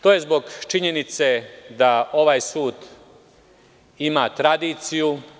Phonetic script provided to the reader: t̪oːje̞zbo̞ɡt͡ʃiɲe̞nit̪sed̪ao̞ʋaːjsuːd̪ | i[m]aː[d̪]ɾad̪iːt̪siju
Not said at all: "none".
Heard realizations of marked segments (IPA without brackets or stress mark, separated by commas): m, t̪